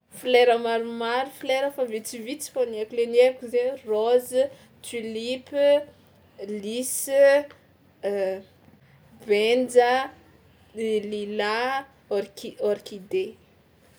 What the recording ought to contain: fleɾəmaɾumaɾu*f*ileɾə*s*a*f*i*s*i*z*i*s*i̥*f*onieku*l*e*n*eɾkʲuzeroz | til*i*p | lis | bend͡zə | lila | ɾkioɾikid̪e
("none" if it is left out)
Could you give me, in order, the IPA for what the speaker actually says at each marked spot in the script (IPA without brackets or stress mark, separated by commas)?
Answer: f, f, v, t͡s, v, t͡s, f, l, n, i